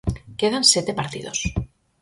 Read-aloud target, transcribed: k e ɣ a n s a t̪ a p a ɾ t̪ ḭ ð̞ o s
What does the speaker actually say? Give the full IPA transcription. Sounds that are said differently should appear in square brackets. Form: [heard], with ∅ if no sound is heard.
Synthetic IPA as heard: k e [ð] a n s [e] t̪ [e] p a ɾ t̪ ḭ ð̞ o s